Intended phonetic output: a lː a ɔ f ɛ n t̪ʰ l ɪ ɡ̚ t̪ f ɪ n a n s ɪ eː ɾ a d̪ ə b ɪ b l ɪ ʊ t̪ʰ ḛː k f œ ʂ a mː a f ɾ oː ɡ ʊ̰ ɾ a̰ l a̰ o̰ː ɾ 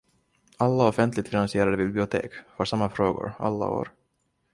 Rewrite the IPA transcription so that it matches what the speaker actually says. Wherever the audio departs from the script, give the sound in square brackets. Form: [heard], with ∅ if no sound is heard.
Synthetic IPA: a lː a ɔ f ɛ n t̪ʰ l ɪ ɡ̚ t̪ f ɪ n a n s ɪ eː ɾ a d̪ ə b ɪ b l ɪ ʊ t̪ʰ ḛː k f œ ʂ a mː a f ɾ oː ɡ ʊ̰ ɾ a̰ [lː] a̰ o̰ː ɾ